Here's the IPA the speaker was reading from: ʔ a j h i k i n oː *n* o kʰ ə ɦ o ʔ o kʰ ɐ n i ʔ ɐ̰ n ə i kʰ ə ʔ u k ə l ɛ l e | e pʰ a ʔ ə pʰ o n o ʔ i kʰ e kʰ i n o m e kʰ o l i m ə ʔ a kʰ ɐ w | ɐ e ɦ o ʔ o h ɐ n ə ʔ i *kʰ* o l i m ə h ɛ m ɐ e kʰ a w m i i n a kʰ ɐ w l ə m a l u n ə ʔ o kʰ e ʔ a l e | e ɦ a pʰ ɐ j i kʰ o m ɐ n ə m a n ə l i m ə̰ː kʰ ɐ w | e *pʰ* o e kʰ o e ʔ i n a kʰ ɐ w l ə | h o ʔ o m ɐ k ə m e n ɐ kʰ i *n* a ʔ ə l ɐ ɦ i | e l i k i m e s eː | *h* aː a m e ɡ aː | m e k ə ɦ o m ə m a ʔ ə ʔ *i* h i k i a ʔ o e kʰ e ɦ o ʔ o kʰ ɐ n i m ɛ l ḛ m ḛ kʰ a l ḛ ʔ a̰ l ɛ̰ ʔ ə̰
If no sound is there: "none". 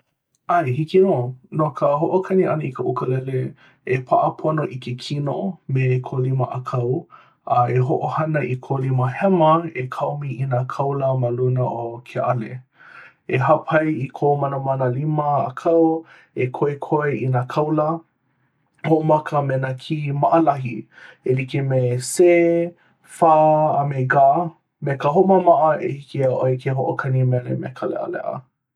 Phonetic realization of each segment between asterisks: n, kʰ, kʰ, m, f, e

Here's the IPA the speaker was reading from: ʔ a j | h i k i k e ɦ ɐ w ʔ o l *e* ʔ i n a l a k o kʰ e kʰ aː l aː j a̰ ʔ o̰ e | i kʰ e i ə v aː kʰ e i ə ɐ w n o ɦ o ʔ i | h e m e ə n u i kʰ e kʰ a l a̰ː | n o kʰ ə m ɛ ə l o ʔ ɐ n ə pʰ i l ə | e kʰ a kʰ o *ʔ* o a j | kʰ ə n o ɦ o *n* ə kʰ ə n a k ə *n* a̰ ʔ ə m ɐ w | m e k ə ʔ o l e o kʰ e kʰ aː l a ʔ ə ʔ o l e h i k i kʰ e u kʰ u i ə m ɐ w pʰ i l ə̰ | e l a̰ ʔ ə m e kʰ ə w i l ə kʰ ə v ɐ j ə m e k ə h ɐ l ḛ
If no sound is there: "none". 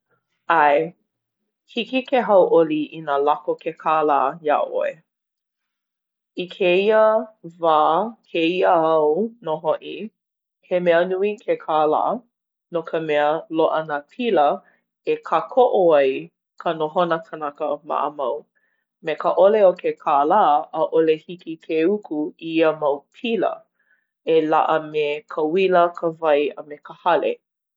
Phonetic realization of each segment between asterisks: i, ʔ, n, m

